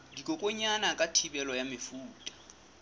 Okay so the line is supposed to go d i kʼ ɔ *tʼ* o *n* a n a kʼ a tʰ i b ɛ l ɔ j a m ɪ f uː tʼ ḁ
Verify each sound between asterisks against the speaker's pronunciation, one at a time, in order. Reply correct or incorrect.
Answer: incorrect: kʼ, incorrect: ɲ

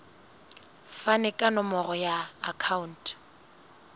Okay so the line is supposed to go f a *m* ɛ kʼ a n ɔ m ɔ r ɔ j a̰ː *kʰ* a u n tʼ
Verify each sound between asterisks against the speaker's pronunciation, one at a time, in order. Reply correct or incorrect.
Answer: incorrect: n, correct

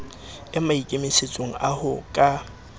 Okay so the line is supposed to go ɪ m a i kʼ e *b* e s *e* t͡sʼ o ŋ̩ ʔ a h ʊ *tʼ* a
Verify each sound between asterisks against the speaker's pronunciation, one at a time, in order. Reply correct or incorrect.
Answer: incorrect: m, correct, incorrect: kʼ

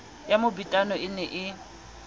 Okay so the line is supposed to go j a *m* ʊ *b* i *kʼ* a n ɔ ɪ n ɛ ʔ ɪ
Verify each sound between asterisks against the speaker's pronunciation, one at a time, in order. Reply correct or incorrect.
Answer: correct, correct, incorrect: tʼ

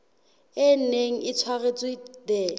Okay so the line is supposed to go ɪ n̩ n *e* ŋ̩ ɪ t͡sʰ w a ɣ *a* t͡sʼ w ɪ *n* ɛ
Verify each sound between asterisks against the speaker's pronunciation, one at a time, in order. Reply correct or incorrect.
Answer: correct, incorrect: e, incorrect: d

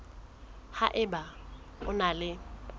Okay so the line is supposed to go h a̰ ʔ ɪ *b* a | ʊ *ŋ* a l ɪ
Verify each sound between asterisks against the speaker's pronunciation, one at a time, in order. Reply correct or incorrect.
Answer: correct, incorrect: n

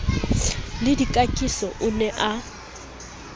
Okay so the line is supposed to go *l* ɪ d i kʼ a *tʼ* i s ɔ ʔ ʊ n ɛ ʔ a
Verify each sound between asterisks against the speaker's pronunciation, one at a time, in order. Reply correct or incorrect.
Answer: correct, incorrect: kʼ

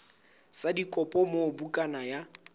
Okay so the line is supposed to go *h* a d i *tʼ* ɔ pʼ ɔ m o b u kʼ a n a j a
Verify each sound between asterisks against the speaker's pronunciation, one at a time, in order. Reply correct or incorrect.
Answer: incorrect: s, incorrect: kʼ

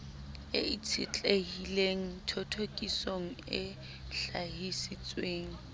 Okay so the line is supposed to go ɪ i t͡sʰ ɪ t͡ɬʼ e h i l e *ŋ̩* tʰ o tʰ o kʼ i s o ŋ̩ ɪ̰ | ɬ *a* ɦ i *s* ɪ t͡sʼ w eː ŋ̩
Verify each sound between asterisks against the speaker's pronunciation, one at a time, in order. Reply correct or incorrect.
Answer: correct, correct, correct

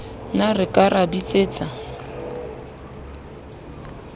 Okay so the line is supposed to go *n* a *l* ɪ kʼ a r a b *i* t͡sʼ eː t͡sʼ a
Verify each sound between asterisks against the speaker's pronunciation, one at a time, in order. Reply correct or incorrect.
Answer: correct, incorrect: r, correct

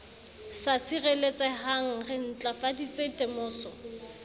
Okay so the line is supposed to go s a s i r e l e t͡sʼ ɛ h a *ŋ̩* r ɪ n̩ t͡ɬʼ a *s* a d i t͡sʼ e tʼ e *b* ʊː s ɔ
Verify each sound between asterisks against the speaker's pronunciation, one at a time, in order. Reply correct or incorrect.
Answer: correct, incorrect: f, incorrect: m

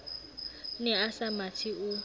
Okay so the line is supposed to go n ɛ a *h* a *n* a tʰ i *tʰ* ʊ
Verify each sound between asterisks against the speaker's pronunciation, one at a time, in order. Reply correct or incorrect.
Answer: incorrect: s, incorrect: m, incorrect: none

